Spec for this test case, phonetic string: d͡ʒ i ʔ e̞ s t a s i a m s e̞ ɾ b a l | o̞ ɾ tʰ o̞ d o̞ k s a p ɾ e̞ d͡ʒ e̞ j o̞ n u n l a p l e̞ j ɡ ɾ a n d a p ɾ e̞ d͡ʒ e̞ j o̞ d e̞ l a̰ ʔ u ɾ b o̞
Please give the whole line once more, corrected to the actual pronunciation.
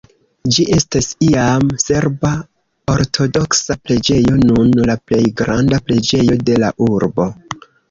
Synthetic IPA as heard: d͡ʒ i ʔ e̞ s t a s i a m s e̞ ɾ b a | o̞ ɾ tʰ o̞ d o̞ k s a p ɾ e̞ d͡ʒ e̞ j o̞ n u n l a p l e̞ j ɡ ɾ a n d a p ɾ e̞ d͡ʒ e̞ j o̞ d e̞ l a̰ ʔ u ɾ b o̞